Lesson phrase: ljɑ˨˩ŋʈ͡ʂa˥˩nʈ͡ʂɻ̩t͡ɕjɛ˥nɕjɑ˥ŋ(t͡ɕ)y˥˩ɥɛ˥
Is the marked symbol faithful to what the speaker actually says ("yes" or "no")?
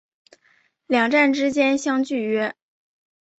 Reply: yes